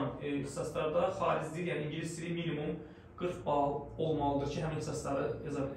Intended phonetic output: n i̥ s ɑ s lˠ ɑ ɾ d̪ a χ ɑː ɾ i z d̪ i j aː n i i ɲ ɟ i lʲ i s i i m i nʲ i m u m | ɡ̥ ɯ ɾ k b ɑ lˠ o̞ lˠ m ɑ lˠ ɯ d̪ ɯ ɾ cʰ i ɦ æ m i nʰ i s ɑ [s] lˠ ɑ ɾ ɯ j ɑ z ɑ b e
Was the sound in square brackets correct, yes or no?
yes